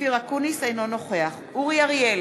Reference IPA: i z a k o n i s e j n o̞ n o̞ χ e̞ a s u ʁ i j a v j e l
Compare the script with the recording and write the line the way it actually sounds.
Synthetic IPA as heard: i ʁ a k u n i s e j n o̞ n o̞ χ e̞ a χ u ʁ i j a ʁ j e l

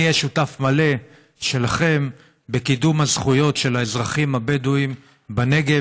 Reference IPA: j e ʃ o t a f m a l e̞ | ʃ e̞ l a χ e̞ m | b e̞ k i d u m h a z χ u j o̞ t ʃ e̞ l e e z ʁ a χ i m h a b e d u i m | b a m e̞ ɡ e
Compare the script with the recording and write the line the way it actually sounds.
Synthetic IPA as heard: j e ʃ u t a f m a l e̞ | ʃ e̞ l a χ e̞ m | b e̞ k i d u m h a z χ u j o̞ t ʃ e̞ l a e z ʁ a χ i m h a b e d u i m | b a n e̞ ɡ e

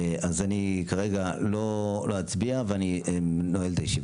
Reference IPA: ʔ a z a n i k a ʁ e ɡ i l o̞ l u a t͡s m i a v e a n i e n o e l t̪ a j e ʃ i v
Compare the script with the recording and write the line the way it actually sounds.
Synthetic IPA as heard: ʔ a z a n i k a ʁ e ɡ a l o̞ l o a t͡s b i a v e a n i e n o e l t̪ a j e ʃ i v

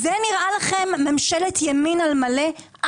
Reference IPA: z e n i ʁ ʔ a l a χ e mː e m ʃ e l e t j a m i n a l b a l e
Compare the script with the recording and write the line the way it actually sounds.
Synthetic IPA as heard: z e n i ʁ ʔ a l a χ e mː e m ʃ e l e t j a m i n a l m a l e

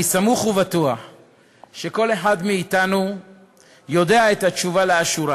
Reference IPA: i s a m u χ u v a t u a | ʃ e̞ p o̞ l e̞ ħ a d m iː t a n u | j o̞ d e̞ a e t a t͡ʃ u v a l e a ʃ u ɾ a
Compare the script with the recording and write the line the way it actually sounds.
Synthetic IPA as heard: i s a m u χ u v a t u a | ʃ e̞ k o̞ l e̞ ħ a d m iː t a n u | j o̞ d e̞ a e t a t͡ʃ u v a l e a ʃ u ɾ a

